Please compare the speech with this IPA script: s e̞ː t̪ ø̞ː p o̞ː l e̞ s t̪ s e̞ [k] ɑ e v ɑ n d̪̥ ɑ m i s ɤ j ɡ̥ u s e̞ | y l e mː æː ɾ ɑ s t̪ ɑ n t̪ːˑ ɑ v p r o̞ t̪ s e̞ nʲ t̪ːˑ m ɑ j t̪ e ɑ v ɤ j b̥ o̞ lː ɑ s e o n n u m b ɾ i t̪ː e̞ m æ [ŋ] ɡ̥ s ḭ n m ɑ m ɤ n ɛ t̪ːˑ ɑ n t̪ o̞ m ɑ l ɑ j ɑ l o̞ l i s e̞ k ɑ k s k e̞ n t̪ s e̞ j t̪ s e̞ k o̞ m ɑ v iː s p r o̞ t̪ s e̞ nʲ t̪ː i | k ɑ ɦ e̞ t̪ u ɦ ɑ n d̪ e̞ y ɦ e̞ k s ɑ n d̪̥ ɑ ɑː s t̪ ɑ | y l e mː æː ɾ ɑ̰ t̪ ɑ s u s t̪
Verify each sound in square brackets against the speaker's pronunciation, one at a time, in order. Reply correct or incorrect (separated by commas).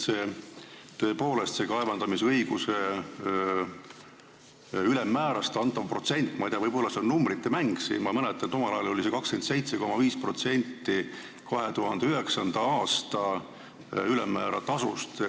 correct, correct